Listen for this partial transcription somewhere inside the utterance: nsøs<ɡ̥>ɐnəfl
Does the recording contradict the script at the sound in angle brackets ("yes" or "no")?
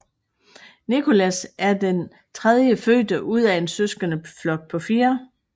no